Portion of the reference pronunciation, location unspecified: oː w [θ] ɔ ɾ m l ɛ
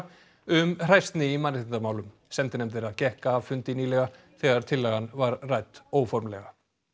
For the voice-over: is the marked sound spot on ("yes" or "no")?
no